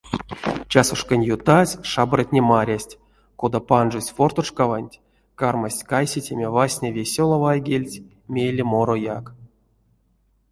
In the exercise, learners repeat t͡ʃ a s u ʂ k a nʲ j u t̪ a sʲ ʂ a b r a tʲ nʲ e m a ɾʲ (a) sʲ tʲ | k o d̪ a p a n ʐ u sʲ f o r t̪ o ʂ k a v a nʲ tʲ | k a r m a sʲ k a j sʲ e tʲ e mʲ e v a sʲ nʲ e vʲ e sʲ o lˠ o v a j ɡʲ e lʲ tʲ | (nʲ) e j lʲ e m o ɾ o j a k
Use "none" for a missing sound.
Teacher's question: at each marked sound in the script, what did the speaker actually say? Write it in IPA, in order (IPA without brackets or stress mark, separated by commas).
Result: a, mʲ